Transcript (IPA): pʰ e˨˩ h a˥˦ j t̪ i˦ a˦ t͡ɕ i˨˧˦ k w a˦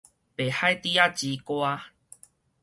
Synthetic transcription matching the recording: p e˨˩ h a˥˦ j t̪ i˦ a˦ t͡ɕ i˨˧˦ k w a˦